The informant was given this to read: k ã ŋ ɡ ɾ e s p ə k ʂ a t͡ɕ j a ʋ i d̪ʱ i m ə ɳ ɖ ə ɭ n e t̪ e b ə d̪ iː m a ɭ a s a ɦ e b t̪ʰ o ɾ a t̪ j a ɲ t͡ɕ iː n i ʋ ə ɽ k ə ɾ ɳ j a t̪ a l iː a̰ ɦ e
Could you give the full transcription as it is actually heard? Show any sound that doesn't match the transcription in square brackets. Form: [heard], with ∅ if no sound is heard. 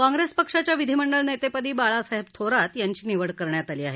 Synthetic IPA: k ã ŋ ɡ ɾ e s p ə k ʂ a t͡ɕ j a ʋ i d̪ʱ i m ə ɳ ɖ ə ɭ n e t̪ e [p] ə d̪ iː [b] a ɭ a s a ɦ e b t̪ʰ o ɾ a t̪ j a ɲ t͡ɕ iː n i ʋ ə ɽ k ə ɾ ɳ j a t̪ a l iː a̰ ɦ e